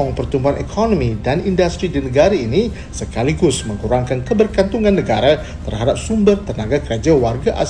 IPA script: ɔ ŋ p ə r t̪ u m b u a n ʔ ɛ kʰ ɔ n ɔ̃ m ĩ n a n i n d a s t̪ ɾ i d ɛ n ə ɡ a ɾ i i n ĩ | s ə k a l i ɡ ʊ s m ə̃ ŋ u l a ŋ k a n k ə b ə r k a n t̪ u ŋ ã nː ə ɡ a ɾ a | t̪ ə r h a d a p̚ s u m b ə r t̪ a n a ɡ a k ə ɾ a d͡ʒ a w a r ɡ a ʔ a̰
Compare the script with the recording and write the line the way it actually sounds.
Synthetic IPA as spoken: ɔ ŋ p ə r t̪ u m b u a n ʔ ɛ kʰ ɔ n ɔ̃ m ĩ d a n i n d a s t̪ ɾ i d i n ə ɡ a ɾ a i n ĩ | s ə k a l i ɡ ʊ s m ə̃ ŋ u ɾ a ŋ k a n k ə b ə r k a n t̪ u ŋ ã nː ə ɡ a ɾ a | t̪ ə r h a d a p̚ s u m b ə r t̪ ə n a ɡ a k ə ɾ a d͡ʒ a w a r ɡ a ʔ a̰